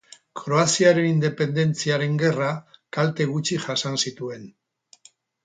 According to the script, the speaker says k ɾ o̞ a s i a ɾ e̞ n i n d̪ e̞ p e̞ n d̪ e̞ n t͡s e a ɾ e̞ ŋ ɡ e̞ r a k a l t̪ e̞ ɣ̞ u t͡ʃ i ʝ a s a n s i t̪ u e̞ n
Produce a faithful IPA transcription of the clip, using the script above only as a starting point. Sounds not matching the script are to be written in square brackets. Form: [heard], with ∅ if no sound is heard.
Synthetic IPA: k ɾ o̞ a s i a ɾ e̞ n i n d̪ e̞ p e̞ n d̪ e̞ n t͡s [i] a ɾ e̞ ŋ ɡ e̞ r a k a l t̪ e̞ ɣ̞ u t͡ʃ i ʝ a s a n s i t̪ u e̞ n